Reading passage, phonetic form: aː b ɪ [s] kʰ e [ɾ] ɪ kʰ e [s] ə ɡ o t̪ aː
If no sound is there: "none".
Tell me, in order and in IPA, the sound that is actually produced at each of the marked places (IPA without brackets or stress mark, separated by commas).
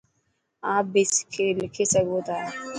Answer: s, l, s